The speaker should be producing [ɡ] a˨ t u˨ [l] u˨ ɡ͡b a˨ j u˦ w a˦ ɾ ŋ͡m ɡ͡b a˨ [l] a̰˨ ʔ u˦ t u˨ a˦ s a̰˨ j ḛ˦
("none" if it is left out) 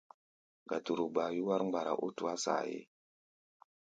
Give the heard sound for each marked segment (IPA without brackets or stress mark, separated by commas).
ɡ, ɾ, ɾ